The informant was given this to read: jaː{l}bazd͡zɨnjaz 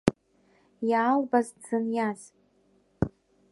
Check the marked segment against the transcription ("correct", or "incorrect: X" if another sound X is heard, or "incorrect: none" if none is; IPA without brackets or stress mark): correct